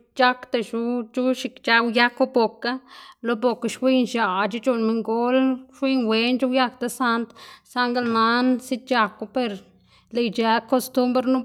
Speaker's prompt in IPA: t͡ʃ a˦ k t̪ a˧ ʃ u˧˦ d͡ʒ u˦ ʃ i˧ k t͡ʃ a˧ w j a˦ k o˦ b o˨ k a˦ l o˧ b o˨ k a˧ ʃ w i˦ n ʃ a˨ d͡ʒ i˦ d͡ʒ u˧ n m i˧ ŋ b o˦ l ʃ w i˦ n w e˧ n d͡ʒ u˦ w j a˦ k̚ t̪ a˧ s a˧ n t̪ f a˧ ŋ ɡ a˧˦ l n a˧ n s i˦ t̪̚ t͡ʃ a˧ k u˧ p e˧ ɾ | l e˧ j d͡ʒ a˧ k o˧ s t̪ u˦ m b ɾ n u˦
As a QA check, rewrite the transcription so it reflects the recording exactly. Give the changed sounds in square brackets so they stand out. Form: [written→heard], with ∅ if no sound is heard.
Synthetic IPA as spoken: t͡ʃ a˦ k t̪ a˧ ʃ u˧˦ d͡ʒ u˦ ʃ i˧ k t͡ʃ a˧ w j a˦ k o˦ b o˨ k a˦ l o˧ b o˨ k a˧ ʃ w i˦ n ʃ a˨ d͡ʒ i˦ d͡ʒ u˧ n m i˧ ŋ [b→ɡ] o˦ l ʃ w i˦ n w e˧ n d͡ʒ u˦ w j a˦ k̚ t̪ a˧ s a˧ n t̪ [f→s] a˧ ŋ ɡ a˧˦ l n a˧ n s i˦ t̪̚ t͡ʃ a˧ k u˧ p e˧ ɾ | l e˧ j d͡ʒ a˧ k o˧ s t̪ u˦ m b ɾ n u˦